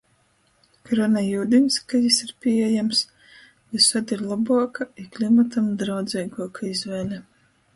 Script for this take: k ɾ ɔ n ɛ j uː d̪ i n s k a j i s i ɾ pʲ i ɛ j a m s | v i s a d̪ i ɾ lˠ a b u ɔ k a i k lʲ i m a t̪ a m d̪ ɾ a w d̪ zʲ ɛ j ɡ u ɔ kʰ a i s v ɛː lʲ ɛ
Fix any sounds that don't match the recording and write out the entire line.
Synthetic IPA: k ɾ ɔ n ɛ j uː d̪ i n s k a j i s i ɾ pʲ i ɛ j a m s | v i s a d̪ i ɾ lˠ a b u ɔ k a i k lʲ i m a t̪ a m d̪ ɾ a w d̪ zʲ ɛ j ɡ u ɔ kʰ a i z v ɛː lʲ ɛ